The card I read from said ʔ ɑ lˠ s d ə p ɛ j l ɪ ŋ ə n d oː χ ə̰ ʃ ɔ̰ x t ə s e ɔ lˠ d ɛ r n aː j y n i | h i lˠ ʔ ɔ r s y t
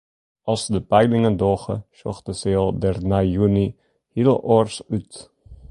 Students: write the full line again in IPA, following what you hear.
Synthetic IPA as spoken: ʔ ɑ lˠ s d ə p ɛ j l ɪ ŋ ə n d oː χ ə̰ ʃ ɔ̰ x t ə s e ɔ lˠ d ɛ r n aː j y n i | h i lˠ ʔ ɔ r s y t